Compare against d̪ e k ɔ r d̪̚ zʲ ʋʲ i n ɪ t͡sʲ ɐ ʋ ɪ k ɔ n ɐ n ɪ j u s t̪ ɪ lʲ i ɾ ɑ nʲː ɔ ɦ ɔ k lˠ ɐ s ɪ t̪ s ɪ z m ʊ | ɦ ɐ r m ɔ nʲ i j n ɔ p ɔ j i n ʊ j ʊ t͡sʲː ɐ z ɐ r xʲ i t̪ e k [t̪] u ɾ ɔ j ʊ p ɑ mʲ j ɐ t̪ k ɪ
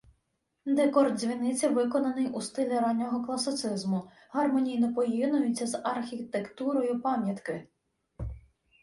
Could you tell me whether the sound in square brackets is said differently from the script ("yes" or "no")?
no